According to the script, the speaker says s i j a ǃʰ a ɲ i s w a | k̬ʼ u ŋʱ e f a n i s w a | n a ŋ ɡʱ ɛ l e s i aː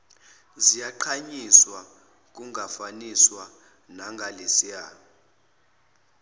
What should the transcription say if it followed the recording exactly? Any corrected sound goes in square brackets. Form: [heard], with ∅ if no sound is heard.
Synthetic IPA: [z] i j a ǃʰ a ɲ i s w a | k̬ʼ u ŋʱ [a] f a n i s w a | n a ŋ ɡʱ [a] l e s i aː

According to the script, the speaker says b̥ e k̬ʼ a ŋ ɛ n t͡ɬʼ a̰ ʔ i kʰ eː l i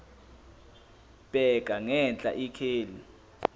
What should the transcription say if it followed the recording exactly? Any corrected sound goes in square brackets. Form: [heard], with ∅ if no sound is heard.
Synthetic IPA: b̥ [ɛ] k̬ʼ a ŋ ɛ n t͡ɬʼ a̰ ʔ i kʰ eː l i

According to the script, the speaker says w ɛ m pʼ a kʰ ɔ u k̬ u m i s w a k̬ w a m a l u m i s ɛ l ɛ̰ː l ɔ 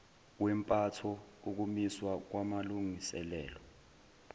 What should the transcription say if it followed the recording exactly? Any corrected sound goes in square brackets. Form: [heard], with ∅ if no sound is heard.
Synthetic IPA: w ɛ m pʼ a [tʰ] ɔ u k̬ u m i s w a k̬ w a m a l u [ŋ] i s ɛ l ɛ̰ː l ɔ

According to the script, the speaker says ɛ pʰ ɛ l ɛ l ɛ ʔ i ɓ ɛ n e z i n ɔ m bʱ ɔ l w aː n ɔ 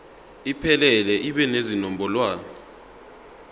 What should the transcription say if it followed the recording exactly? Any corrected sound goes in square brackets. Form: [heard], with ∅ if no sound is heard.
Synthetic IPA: [i] pʰ ɛ l ɛ l ɛ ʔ i ɓ ɛ n e z i n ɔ m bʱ ɔ l w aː n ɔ

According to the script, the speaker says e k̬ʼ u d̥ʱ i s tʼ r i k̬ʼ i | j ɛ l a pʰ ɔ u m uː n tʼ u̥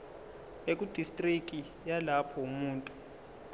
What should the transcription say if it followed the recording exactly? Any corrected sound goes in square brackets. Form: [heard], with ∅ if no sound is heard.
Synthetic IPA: e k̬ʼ u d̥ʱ i s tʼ r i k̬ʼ i | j [a] l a pʰ ɔ u m uː n tʼ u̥

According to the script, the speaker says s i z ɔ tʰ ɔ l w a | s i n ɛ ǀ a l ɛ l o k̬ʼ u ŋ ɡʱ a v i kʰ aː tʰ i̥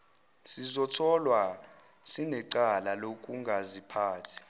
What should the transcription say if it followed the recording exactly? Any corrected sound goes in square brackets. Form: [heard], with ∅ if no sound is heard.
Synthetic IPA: s i z ɔ tʰ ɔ l w a | s i n ɛ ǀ a l [a] l o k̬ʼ u ŋ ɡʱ a [z] i [pʰ] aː tʰ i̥

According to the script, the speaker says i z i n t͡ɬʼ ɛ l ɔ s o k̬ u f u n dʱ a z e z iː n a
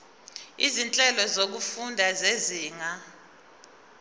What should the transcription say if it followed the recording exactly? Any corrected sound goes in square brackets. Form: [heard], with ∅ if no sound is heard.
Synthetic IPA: i z i n t͡ɬʼ ɛ l ɔ [z] o k̬ u f u n dʱ a z e z iː [ŋ] a

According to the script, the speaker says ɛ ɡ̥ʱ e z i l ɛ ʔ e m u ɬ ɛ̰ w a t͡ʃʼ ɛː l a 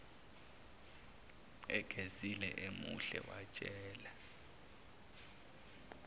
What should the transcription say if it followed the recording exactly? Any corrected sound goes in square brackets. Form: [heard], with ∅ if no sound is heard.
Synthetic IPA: ɛ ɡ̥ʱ e z i l ɛ ʔ e m u ɬ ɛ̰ w a t͡ʃʼ ɛː l a

